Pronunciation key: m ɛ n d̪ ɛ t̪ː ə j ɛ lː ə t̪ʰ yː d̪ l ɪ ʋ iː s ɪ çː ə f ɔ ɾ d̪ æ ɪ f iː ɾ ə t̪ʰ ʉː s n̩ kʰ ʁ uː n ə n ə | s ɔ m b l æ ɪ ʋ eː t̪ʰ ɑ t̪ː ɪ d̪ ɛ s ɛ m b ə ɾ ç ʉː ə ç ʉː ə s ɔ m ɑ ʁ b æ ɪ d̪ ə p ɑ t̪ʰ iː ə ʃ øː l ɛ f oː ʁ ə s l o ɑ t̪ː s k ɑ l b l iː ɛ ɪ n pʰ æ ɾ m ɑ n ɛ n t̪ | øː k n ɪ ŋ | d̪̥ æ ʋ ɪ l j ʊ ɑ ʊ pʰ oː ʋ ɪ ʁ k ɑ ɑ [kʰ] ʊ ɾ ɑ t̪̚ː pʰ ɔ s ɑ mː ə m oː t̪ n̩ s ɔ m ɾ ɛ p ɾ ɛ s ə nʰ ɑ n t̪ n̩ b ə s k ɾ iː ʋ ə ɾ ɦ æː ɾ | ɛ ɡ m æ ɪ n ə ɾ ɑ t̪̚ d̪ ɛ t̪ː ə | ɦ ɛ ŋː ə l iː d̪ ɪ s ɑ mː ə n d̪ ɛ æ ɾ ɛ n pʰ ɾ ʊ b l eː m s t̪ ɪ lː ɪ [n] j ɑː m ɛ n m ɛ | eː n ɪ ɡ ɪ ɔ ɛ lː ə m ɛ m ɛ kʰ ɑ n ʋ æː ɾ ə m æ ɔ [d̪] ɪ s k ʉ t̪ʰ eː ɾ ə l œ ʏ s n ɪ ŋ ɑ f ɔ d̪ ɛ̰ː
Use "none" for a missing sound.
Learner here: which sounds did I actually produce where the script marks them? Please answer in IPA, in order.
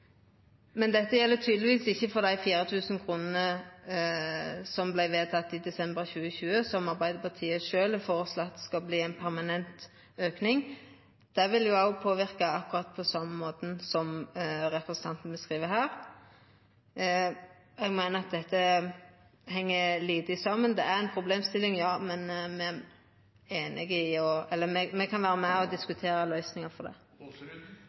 k, ŋ, d̪

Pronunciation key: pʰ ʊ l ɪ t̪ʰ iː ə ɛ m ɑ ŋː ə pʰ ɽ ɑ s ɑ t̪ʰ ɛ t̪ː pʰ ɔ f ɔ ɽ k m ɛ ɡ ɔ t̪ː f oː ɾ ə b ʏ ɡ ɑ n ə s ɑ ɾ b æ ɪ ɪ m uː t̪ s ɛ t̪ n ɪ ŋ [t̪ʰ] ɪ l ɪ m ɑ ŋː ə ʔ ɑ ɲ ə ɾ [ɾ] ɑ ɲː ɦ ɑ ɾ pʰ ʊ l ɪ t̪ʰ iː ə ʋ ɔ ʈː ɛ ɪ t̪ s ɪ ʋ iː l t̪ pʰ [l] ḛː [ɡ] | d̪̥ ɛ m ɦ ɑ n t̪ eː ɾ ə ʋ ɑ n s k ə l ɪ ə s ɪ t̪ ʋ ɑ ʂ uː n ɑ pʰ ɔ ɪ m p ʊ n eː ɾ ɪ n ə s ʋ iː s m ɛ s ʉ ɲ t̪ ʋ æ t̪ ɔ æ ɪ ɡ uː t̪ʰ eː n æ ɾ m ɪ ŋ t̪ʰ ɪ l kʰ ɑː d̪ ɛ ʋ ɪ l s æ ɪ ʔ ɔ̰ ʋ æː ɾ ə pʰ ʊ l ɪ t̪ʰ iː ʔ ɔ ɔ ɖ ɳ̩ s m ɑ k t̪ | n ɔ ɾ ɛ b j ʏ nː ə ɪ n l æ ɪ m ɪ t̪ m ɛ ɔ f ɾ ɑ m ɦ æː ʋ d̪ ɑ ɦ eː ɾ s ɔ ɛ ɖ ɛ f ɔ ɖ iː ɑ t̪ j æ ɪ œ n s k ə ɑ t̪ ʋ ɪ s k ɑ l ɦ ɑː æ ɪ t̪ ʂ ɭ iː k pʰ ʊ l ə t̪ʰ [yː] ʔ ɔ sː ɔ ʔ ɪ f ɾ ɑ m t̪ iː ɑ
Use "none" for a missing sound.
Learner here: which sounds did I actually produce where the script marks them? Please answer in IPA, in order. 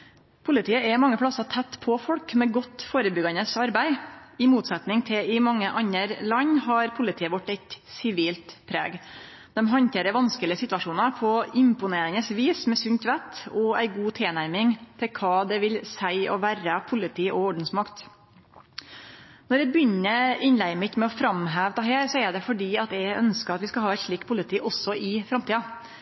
t̪ʰ, l, ɾ, ɡ, iː

